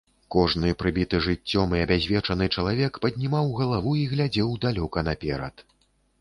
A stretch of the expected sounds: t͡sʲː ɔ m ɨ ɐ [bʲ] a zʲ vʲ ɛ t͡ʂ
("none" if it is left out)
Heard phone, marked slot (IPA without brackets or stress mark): bʲ